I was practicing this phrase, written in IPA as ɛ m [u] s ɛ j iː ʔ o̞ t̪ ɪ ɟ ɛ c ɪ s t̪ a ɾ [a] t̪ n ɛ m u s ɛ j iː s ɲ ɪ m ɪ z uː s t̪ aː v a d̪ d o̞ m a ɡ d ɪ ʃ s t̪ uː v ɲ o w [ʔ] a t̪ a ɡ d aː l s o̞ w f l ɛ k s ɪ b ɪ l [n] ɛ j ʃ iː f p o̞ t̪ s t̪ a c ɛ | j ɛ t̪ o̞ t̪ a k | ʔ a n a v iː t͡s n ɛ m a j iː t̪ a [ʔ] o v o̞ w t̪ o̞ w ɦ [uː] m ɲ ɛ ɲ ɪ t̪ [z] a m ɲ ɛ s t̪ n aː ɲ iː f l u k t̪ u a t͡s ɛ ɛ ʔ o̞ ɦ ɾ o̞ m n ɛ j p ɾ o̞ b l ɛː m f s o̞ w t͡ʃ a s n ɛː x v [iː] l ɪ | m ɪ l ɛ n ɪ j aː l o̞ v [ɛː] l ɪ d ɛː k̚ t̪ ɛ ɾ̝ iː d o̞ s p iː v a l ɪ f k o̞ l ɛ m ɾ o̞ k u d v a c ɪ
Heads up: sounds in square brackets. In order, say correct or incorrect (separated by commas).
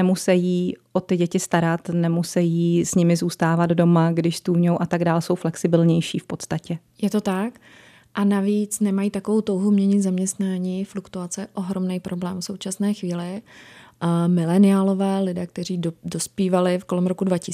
correct, correct, correct, incorrect, incorrect, incorrect, correct, correct, correct